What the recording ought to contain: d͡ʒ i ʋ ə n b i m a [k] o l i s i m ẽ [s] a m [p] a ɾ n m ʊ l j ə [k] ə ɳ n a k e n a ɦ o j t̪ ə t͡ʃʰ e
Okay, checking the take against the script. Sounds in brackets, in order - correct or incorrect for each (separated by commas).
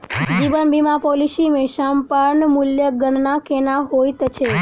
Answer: incorrect, incorrect, correct, incorrect